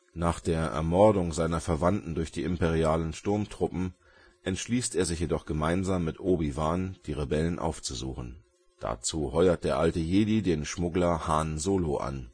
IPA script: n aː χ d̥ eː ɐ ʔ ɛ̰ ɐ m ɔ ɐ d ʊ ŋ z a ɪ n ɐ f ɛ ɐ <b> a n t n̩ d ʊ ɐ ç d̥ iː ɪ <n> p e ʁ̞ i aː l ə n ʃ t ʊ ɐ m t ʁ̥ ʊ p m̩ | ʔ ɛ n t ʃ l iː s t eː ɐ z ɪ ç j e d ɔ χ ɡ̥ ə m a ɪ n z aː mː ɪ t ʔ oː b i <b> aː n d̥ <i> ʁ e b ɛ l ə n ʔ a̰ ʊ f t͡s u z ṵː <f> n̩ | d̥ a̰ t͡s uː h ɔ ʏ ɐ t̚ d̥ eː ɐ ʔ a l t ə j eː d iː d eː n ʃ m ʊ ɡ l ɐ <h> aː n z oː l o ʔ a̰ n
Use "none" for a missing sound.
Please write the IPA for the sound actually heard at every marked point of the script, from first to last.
v, m, v, iː, χ, h

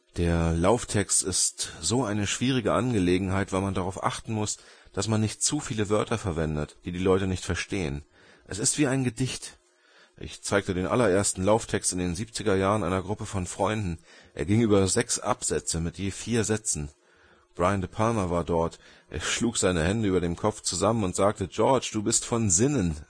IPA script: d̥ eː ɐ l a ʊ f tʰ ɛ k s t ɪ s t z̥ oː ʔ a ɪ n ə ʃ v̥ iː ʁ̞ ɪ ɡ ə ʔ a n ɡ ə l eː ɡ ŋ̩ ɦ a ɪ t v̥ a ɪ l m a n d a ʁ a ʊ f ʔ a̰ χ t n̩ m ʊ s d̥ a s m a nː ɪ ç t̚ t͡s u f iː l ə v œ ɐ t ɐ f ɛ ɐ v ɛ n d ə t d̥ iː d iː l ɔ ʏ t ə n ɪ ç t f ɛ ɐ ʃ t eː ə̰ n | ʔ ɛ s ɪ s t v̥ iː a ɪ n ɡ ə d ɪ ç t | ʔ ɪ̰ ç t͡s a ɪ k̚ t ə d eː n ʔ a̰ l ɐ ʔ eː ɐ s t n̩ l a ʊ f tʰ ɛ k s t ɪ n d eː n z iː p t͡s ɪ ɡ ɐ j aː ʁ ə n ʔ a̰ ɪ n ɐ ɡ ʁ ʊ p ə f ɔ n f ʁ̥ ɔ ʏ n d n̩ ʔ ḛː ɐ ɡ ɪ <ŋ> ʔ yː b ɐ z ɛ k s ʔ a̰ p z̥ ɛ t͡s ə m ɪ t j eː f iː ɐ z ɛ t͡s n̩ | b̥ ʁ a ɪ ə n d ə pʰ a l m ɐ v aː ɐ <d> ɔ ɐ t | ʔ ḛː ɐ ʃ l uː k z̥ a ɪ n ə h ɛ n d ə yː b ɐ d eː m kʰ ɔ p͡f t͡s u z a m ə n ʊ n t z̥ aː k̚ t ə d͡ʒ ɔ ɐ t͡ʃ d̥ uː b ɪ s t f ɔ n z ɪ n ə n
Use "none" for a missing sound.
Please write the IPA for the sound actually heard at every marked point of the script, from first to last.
ŋ, d

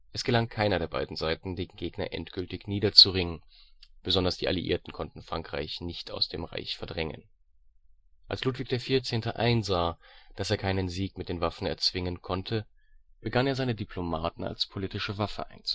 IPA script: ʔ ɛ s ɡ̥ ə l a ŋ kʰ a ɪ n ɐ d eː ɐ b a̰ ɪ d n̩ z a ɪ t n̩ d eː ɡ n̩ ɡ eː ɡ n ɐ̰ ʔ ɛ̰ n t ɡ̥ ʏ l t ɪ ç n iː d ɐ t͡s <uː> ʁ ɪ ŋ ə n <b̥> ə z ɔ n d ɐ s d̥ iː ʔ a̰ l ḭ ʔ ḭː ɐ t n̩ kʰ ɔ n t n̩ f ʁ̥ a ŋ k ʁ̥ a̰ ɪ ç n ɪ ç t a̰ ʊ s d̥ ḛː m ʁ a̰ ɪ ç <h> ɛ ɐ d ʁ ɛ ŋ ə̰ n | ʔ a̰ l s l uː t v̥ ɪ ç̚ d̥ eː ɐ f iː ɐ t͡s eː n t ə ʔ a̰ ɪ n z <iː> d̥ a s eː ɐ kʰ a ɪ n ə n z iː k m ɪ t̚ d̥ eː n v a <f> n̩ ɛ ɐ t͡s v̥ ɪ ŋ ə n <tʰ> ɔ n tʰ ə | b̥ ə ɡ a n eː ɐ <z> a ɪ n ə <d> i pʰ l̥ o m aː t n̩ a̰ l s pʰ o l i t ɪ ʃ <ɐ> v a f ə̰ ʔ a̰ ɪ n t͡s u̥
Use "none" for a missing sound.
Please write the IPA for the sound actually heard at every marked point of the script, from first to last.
u, b̥, f, aː, f, kʰ, z, d, ə

